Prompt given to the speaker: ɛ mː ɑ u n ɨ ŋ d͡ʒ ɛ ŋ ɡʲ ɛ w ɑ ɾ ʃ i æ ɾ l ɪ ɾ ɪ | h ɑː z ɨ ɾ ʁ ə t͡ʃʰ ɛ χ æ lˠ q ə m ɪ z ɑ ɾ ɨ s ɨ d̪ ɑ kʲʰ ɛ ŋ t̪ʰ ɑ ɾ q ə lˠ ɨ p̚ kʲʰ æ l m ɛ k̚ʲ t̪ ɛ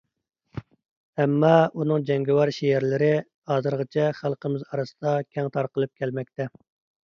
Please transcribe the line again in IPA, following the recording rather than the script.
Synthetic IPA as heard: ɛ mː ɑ u n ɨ ŋ d͡ʒ ɛ ŋ ɡʲ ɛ w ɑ ɾ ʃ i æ ɾ l ɪ ɾ ɪ | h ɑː z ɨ ɾ ʁ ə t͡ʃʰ ɛ χ æ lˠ q ə m ɪ z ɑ ɾ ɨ s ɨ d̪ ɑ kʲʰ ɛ ŋ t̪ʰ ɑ ɾ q ə lˠ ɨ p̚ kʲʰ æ l m ɛ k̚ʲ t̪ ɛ

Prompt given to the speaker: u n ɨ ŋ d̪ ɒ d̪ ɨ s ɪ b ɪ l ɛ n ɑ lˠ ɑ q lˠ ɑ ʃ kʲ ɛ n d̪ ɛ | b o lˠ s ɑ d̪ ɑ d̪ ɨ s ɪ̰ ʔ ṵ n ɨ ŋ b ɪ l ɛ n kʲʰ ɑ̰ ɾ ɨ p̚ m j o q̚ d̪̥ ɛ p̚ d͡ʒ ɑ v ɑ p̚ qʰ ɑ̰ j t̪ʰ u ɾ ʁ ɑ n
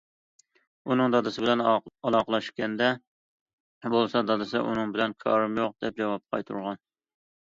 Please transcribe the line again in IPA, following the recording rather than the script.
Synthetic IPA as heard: u n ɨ ŋ d̪ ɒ d̪ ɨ s ɪ b ɪ l ɛ n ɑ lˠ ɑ q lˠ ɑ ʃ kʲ ɛ n d̪ ɛ | b o lˠ s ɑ d̪ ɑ d̪ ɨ s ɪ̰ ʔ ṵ n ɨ ŋ b ɪ l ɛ n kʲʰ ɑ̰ ɾ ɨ m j o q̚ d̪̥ ɛ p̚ d͡ʒ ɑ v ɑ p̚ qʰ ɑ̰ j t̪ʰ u ɾ ʁ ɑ n

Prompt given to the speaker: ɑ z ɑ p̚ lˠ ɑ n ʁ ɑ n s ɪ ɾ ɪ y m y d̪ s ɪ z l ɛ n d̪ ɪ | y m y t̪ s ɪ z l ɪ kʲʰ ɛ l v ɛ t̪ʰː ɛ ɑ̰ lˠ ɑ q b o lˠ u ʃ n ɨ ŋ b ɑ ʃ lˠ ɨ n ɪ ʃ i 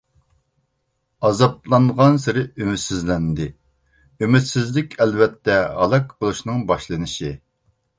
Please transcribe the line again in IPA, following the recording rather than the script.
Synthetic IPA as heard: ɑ z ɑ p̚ lˠ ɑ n ʁ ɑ n s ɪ ɾ ɪ y m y t̪ s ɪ z l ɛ n d̪ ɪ | y m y t̪ s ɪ z l ɪ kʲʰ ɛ l v ɛ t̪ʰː ɛ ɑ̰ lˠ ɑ k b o lˠ u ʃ n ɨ ŋ b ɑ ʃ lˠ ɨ n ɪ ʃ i

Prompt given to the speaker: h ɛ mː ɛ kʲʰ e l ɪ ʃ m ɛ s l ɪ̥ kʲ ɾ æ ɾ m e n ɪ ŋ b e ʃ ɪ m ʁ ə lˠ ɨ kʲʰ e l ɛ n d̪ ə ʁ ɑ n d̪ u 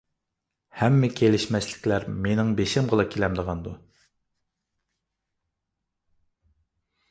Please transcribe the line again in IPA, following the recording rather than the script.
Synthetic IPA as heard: h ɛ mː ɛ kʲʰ e l ɪ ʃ m ɛ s l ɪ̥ kʲ l æ ɾ m e n ɪ ŋ b e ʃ ɪ m ʁ ə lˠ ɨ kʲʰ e l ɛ m d̪ ə ʁ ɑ n d̪ u

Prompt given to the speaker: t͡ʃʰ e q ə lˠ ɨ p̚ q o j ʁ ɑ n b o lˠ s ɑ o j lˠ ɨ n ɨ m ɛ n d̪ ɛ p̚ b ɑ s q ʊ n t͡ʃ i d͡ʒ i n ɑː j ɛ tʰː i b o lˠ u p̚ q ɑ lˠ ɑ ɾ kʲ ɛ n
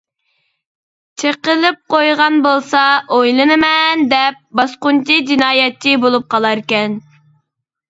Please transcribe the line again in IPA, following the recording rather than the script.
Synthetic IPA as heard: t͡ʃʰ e q ə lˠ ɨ p̚ q o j ʁ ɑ n b o lˠ s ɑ o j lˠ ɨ n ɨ m ɛ n d̪ ɛ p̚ b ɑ s q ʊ n t͡ʃ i d͡ʒ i n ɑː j ɛ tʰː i b o lˠ u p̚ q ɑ lˠ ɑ ɾ kʲ ɛ n

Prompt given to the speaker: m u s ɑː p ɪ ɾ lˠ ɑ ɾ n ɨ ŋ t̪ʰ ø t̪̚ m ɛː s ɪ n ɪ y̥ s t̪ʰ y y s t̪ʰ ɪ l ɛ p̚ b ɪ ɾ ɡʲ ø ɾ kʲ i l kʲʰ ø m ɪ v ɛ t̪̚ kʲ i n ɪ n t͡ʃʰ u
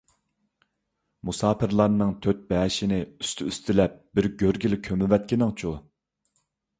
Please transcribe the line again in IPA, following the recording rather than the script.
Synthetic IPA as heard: m u s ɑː p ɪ ɾ lˠ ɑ ɾ n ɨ ŋ t̪ʰ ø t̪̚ b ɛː ʃ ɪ n ɪ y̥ s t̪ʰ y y s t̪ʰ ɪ l ɛ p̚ b ɪ ɾ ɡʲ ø ɾ ɡʲ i l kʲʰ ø m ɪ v ɛ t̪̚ kʲ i n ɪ ŋ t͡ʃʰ u

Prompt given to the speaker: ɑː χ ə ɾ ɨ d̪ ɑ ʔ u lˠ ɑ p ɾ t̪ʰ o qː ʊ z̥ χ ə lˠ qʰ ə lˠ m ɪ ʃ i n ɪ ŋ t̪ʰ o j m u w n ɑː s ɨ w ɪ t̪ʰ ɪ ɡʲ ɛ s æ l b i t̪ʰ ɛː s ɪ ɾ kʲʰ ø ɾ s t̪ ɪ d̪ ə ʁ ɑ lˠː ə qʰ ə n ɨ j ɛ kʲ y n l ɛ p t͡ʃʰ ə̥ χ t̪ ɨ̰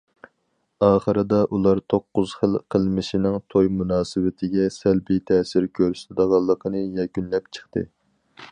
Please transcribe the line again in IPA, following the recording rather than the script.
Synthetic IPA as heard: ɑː χ ə ɾ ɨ d̪ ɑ ʔ u lˠ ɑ ɾ t̪ʰ o qː ʊ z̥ χ ə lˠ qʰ ə lˠ m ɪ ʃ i n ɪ ŋ t̪ʰ o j m u n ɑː s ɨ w ɪ t̪ʰ ɪ ɡʲ ɛ s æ l b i t̪ʰ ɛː s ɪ ɾ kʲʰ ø ɾ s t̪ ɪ d̪ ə ʁ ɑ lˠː ə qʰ ə n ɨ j ɛ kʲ y n l ɛ p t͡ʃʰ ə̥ χ t̪ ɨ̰

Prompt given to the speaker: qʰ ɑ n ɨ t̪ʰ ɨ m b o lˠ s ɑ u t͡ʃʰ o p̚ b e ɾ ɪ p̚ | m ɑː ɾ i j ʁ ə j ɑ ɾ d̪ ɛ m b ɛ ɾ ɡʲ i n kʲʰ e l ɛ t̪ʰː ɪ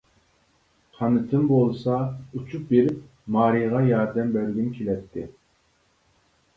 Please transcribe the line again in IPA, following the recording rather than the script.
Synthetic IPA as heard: qʰ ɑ n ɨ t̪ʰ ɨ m b o lˠ s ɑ u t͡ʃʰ u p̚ b e ɾ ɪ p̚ | m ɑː ɾ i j ʁ ɑ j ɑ ɾ d̪ ɛ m b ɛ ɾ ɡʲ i n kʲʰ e l ɛ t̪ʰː ɪ

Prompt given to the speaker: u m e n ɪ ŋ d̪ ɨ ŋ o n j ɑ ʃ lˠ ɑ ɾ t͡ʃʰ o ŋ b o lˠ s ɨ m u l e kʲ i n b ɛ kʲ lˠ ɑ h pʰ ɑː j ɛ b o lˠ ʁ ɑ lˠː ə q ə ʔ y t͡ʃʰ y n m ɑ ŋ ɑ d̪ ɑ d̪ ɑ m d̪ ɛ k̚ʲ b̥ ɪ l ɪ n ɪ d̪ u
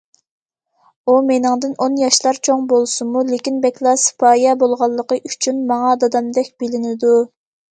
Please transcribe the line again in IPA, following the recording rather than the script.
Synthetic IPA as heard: u m e n ɪ ŋ d̪ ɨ n o n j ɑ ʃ lˠ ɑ ɾ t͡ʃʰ o ŋ b o lˠ s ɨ m u l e kʲ i n b ɛ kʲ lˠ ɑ s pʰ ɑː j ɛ b o lˠ ʁ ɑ lˠː ə q ə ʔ y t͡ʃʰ y n m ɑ ŋ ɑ d̪ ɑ d̪ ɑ m d̪ ɛ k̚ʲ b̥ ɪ l ɪ n ɪ d̪ u

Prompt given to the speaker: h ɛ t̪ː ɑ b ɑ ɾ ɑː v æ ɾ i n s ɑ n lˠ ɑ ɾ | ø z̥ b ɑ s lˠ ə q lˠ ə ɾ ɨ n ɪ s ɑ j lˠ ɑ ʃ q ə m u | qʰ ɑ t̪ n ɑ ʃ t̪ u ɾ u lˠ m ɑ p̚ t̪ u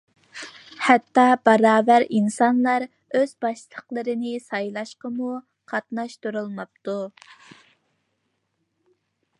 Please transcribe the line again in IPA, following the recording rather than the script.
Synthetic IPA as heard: h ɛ t̪ː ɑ b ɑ ɾ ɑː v æ ɾ i n s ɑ n lˠ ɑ ɾ | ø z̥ b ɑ ʃ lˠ ə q lˠ ə ɾ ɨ n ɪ s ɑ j lˠ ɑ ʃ q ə m u | qʰ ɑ t̪ n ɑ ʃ t̪ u ɾ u lˠ m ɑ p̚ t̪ u

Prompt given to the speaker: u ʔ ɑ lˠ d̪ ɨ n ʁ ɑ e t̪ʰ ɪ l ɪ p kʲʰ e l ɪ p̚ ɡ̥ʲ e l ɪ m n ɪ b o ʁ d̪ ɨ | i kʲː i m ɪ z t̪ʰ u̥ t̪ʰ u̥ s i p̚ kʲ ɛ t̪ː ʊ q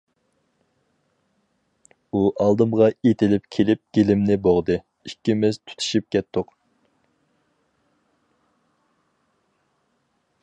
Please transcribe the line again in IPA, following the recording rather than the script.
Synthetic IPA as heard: u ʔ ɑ lˠ d̪ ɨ m ʁ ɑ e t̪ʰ ɪ l ɪ p kʲʰ e l ɪ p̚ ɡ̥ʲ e l ɪ m n ɪ b o ʁ d̪ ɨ | i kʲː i m ɪ z t̪ʰ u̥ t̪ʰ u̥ ʃ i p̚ kʲ ɛ t̪ː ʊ q

